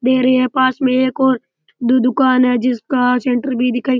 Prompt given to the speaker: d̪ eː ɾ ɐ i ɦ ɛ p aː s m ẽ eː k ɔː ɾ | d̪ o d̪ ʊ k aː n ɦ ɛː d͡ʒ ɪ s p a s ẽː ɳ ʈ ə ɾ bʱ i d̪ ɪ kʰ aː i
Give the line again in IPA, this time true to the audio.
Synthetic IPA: d̪ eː ɾ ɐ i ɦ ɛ p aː s m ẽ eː k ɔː ɾ | d̪ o d̪ ʊ k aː n ɦ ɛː d͡ʒ ɪ s k a s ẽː ɳ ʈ ə ɾ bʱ i d̪ ɪ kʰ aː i